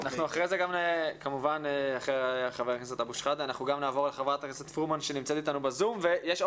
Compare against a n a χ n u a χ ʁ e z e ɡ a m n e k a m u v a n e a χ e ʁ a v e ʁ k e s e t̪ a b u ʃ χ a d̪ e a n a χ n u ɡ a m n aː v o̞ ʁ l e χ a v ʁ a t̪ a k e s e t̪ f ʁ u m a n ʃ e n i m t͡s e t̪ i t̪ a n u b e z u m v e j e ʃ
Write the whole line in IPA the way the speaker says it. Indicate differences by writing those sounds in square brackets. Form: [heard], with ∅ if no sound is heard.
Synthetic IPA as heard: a n a χ n u a χ ʁ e z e ɡ a m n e k a m u v a n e a χ e [χ] a v e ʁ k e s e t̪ a b u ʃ χ a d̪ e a n a χ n u ɡ a m n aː v o̞ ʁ l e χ a v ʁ a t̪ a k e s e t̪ f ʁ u m a n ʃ e n i m t͡s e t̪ i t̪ a n u b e z u m v e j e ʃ